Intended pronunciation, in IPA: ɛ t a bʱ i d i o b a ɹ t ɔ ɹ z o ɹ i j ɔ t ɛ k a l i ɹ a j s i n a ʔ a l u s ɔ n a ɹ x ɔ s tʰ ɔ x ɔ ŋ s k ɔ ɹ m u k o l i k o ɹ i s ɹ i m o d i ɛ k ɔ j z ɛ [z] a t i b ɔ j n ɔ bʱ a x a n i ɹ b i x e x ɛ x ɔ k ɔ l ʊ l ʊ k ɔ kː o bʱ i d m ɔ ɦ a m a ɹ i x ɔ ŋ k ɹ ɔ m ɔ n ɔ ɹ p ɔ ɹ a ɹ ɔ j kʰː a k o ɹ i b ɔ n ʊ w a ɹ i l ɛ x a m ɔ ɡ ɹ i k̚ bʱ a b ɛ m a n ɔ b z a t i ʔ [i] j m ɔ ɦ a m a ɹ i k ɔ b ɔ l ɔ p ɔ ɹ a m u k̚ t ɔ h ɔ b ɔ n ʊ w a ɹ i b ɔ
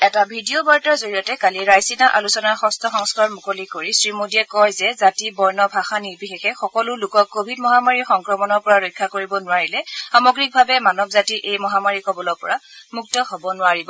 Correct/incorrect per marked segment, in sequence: correct, incorrect

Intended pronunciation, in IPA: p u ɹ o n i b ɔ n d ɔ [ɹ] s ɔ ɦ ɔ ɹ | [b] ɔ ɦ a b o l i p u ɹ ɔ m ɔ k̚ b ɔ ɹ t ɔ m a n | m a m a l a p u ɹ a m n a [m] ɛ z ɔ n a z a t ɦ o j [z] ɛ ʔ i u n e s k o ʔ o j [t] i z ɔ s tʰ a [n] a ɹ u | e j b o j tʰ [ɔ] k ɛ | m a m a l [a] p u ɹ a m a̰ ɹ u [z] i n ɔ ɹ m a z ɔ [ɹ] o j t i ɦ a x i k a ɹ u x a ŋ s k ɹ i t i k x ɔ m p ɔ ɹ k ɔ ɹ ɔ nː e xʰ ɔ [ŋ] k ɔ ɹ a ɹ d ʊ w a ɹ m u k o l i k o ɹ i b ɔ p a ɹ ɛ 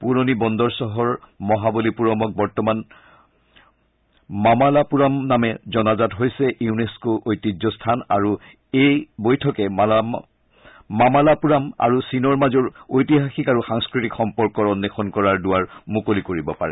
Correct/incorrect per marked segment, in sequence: correct, incorrect, correct, incorrect, correct, correct, correct, correct, incorrect, correct, incorrect

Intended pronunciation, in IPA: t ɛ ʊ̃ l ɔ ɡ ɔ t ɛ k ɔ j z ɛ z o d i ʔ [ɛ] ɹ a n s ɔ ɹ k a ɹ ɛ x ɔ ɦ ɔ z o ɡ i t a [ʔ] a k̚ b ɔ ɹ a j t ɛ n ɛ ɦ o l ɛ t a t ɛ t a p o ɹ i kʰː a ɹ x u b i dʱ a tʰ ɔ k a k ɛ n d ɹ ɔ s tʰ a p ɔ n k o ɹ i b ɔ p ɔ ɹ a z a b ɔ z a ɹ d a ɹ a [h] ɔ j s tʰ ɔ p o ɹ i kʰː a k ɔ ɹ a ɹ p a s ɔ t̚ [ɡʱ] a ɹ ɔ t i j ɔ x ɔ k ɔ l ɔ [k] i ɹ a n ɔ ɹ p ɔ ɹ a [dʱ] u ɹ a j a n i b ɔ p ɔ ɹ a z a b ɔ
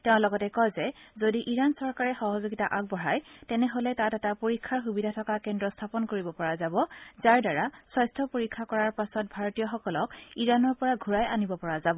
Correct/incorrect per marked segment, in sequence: incorrect, correct, incorrect, incorrect, correct, incorrect

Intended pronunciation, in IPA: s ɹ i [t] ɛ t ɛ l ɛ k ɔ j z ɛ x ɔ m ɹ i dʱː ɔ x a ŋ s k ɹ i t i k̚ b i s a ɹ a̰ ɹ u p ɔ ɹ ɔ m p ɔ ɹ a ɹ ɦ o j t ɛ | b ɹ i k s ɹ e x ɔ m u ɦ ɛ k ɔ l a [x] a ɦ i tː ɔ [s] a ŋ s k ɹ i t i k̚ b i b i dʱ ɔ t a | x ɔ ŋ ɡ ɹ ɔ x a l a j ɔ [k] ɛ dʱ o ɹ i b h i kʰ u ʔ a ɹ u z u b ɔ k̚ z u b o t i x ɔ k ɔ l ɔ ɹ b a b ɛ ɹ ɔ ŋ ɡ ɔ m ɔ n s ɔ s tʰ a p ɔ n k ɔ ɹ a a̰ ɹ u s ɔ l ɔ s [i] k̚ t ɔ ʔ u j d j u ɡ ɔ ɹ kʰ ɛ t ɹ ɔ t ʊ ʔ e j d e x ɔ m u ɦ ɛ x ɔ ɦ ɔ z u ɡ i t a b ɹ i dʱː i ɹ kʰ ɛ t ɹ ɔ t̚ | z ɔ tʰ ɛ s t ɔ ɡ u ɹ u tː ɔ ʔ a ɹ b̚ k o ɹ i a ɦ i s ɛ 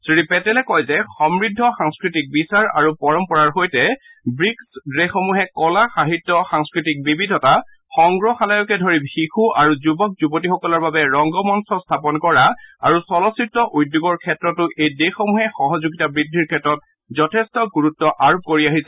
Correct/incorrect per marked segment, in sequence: incorrect, correct, incorrect, correct, correct

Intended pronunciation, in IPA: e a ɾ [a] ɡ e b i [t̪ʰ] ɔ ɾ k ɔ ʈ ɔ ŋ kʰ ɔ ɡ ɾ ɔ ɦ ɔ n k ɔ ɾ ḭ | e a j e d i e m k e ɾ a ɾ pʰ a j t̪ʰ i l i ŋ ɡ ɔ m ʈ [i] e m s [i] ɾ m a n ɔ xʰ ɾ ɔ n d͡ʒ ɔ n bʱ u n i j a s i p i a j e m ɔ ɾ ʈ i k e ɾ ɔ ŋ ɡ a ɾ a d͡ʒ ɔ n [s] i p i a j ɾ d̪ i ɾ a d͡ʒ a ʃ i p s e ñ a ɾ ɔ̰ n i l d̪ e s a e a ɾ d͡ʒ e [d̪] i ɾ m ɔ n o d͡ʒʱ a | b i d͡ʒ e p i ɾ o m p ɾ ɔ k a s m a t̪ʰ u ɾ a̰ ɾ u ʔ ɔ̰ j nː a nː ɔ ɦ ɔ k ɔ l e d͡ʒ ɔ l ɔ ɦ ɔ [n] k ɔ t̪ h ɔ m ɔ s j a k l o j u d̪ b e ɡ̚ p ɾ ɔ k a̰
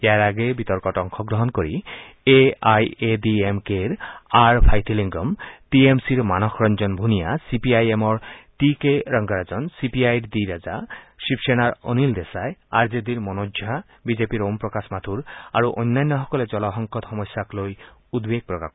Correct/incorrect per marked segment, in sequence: correct, incorrect, correct, correct, correct, correct, incorrect

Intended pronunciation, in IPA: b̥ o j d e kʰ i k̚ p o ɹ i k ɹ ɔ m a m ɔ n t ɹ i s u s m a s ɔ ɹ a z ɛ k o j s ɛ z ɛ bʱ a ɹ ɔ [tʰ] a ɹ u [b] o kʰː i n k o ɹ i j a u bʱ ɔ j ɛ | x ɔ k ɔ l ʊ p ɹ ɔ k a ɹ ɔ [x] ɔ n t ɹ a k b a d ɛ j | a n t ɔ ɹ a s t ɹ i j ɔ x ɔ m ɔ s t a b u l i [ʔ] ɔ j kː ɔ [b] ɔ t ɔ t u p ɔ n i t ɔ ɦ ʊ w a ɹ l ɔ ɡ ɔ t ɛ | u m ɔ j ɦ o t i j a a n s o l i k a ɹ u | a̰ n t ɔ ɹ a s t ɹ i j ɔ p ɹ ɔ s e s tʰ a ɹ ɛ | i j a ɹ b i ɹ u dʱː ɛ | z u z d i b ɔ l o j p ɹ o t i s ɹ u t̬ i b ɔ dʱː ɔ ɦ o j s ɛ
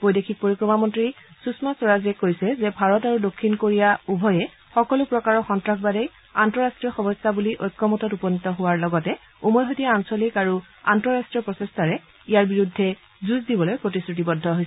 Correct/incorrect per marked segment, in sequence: incorrect, incorrect, correct, correct, incorrect

